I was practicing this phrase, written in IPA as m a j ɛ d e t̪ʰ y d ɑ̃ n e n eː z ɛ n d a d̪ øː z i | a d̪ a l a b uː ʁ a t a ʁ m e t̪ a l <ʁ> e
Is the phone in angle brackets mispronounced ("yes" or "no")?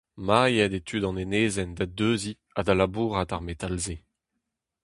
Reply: yes